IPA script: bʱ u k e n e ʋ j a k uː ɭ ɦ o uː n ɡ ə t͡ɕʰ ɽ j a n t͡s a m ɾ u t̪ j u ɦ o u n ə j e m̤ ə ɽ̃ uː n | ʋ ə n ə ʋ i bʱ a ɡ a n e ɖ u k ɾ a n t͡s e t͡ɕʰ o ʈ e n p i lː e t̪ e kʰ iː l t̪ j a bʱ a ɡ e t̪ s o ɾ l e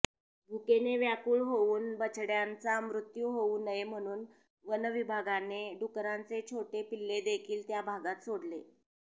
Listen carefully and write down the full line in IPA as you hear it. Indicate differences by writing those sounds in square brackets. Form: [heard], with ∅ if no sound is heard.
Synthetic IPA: bʱ u k e n e ʋ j a k uː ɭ ɦ o uː n [b] ə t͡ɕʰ ɽ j a n t͡s a m ɾ u t̪ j u ɦ o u n ə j e m̤ ə ɽ̃ uː n | ʋ ə n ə ʋ i bʱ a ɡ a n e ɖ u k ɾ a n t͡s e t͡ɕʰ o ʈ e [∅] p i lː e [d̪] e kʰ iː l t̪ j a bʱ a ɡ [a] t̪ s o [ɽ] l e